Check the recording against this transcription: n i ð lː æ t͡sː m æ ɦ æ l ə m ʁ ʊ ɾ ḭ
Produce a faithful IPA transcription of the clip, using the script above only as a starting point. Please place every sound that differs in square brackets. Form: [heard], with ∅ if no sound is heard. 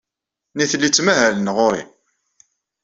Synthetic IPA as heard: n i [θ] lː [i] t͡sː m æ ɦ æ l ə [n] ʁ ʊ ɾ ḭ